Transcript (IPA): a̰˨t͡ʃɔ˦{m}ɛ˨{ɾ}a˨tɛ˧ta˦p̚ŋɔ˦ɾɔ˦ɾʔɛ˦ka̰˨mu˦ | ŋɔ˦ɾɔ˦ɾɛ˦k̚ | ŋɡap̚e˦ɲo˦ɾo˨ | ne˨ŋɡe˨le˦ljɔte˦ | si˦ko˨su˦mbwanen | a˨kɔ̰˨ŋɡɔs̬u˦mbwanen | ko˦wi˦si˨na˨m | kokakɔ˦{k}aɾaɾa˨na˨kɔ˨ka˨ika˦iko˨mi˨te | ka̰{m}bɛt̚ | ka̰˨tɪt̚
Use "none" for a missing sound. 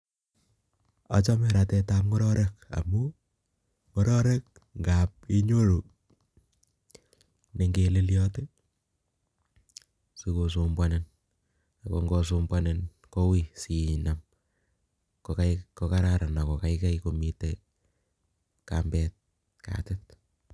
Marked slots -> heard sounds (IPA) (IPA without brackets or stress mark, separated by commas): m, ɾ, k, m